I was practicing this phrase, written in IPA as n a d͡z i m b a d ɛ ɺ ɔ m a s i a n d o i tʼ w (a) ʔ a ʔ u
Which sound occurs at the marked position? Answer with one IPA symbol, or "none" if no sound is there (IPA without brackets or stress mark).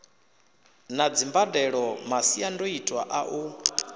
a